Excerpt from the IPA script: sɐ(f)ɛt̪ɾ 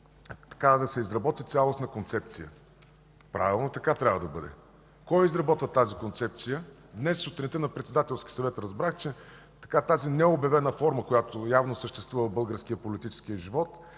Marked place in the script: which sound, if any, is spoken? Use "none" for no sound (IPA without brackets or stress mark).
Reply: v